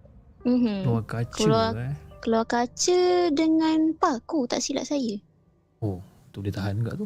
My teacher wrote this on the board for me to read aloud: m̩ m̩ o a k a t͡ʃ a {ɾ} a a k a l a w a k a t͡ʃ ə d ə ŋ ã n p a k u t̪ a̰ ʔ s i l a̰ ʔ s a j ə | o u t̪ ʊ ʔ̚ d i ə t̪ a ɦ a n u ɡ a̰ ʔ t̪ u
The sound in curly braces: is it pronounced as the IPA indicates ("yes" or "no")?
no